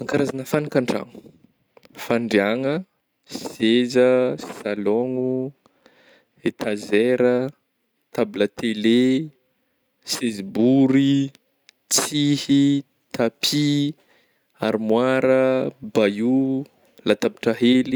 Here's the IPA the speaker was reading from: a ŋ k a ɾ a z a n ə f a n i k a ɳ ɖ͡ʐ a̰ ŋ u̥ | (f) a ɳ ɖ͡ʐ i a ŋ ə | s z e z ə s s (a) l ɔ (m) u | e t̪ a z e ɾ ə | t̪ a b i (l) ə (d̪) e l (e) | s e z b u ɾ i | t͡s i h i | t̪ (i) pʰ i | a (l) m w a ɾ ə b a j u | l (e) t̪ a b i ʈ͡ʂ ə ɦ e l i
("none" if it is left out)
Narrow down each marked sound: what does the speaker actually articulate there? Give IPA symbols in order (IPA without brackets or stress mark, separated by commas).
f, a, ŋ, l, t̪, e, a, ɾ, a